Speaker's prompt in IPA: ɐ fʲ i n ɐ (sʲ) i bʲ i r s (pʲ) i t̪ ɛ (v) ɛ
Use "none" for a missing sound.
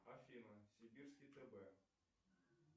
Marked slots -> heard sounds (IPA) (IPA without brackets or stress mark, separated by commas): sʲ, kʲ, b